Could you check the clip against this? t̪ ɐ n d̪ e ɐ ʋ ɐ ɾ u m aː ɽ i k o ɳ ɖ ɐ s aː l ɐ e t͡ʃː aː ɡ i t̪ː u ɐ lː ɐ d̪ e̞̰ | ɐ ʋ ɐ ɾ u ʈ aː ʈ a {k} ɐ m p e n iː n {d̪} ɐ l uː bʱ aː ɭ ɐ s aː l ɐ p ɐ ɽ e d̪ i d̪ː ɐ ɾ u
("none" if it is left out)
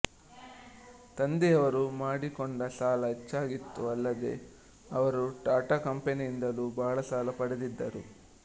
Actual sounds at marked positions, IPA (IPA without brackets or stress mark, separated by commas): k, d̪